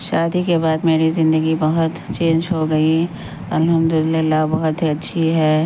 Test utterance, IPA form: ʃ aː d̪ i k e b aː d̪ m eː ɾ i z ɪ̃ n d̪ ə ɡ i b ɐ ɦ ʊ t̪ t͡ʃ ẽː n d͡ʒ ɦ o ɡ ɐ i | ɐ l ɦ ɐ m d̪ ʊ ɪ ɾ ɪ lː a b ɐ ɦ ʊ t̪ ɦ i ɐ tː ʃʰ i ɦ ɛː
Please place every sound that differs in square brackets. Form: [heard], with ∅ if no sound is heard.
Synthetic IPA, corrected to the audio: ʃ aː d̪ i k e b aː d̪ m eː ɾ i z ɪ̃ n d̪ ə ɡ i b ɐ ɦ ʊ t̪ t͡ʃ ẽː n d͡ʒ ɦ o ɡ ɐ i | ɐ l ɦ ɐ m d̪ ʊ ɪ [l] ɪ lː a b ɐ ɦ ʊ t̪ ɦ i ɐ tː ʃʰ i ɦ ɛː